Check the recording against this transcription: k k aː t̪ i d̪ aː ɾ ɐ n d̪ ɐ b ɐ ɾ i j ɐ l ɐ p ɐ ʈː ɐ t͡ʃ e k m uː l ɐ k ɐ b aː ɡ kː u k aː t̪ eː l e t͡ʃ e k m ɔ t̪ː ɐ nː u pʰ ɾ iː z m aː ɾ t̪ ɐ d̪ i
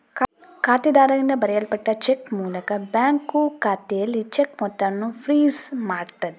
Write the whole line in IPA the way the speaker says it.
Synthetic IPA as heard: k k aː t̪ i d̪ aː ɾ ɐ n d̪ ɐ b ɐ ɾ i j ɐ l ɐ p ɐ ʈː ɐ t͡ʃ e k m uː l ɐ k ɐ b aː ŋ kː u k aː t̪ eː l i t͡ʃ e k m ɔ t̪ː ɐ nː u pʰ ɾ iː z m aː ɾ t̪ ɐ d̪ i

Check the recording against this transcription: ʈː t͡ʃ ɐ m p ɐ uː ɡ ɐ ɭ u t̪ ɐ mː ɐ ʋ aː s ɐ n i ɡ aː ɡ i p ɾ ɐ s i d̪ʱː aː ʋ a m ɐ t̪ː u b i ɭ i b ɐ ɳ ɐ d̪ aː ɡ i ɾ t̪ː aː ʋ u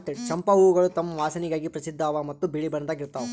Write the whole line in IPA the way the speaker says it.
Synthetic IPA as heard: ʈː t͡ʃ ɐ m p ɐ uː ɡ ɐ ɭ u t̪ ɐ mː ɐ ʋ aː s ɐ n i ɡ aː ɡ i p ɾ ɐ s i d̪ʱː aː ʋ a m ɐ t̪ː u b i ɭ i b ɐ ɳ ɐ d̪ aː ɡ i ɾ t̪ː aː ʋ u

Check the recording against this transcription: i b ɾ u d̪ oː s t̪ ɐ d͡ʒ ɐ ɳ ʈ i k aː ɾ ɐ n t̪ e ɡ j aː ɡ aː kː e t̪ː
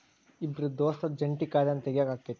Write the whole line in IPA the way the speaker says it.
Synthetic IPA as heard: i b ɾ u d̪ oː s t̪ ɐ d͡ʒ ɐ ɳ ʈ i k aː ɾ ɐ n t̪ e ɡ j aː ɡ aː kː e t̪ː

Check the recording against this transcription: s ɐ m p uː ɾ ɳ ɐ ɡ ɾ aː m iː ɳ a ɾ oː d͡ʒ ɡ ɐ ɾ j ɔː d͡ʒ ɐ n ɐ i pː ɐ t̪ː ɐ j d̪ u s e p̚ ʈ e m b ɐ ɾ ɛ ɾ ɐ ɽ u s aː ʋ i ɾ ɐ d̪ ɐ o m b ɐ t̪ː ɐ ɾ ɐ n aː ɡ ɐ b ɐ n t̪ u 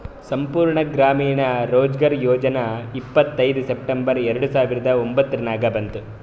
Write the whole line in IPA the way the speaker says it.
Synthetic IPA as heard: s ɐ m p uː ɾ ɳ ɐ ɡ ɾ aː m iː ɳ ɐ ɾ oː d͡ʒ ɡ ɐ ɾ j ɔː d͡ʒ ɐ n ɐ i pː ɐ t̪ː ɐ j d̪ u s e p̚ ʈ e m b ɐ ɾ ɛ ɾ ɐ ɽ u s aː ʋ i ɾ ɐ d̪ ɐ o m b ɐ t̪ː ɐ ɾ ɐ n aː ɡ ɐ b ɐ n t̪ u

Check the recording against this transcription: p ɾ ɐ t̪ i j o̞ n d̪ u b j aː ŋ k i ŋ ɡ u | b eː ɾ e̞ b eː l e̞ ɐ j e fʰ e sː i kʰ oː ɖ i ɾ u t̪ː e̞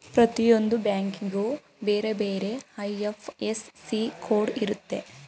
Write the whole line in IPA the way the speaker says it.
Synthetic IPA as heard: p ɾ ɐ t̪ i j o̞ n d̪ u b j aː ŋ k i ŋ ɡ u | b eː ɾ e̞ b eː ɾ e̞ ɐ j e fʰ e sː i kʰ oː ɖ i ɾ u t̪ː e̞

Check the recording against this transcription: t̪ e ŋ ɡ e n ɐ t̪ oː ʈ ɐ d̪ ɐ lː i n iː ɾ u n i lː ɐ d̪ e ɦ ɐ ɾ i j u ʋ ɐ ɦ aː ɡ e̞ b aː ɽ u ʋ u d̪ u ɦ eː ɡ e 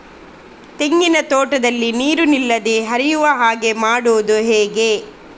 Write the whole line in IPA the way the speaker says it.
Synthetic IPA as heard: t̪ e ŋ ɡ i n ɐ t̪ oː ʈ ɐ d̪ ɐ lː i n iː ɾ u n i lː ɐ d̪ e ɦ ɐ ɾ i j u ʋ ɐ ɦ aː ɡ e̞ m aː ɽ u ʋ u d̪ u ɦ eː ɡ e

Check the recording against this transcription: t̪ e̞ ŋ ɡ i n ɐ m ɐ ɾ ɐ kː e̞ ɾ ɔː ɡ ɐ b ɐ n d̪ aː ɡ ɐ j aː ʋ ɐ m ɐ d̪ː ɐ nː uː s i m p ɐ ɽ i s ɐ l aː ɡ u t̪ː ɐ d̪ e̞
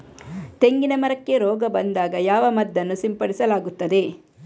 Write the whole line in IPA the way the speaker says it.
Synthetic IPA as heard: t̪ e̞ ŋ ɡ i n ɐ m ɐ ɾ ɐ kː e̞ ɾ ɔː ɡ ɐ b ɐ n d̪ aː ɡ ɐ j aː ʋ ɐ m ɐ d̪ː ɐ nː u s i m p ɐ ɽ i s ɐ l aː ɡ u t̪ː ɐ d̪ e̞

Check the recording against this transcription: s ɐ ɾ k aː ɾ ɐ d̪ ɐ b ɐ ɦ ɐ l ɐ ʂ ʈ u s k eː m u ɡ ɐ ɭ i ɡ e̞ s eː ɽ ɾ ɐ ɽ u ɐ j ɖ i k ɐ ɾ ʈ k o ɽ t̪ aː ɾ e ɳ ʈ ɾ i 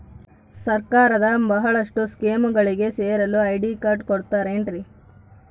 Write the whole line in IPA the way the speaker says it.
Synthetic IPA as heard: s ɐ ɾ k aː ɾ ɐ d̪ ɐ b ɐ ɦ ɐ ɭ ɐ ʂ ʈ u s k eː m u ɡ ɐ ɭ i ɡ e̞ s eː ɾ ɐ l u ɐ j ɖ i k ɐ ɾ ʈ k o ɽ t̪ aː ɾ e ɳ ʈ ɾ i

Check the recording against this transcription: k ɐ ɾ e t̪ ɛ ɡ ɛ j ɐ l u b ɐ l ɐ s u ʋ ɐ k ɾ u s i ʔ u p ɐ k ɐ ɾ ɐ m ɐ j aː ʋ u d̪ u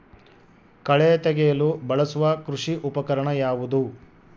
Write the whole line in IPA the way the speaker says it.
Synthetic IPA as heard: k ɐ ɭ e t̪ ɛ ɡ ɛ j ɐ l u b ɐ ɭ ɐ s u ʋ ɐ k ɾ u ʂ i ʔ u p ɐ k ɐ ɾ ɐ ɳ ɐ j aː ʋ u d̪ u

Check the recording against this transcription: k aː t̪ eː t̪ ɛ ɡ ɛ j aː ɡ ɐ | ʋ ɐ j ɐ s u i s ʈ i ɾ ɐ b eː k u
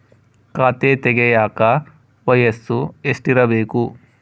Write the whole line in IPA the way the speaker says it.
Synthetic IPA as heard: k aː t̪ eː t̪ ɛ ɡ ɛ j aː k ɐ | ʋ ɐ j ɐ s u e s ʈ i ɾ ɐ b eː k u

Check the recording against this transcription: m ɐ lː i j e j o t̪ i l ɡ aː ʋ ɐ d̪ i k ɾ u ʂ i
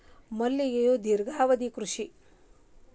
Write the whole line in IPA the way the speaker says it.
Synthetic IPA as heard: m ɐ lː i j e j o d̪ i ɾ ɡ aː ʋ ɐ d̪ i k ɾ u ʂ i

